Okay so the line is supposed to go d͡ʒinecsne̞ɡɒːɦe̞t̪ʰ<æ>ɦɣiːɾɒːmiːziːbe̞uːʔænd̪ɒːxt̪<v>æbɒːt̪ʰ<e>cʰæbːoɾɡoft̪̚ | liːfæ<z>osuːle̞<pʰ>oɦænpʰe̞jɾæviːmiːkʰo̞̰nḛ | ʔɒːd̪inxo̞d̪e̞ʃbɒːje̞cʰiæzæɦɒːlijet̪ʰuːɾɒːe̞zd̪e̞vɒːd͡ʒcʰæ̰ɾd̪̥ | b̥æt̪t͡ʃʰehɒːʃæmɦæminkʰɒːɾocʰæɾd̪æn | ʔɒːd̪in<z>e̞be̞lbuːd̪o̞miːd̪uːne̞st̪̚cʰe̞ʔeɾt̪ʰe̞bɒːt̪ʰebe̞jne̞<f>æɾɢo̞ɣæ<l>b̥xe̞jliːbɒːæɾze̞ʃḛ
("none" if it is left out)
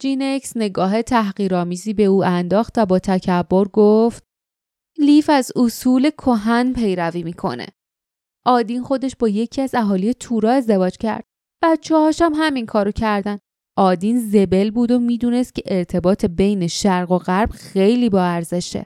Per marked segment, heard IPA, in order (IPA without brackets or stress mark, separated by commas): æ, v, æ, z, kʰ, z, ʃ, ɾ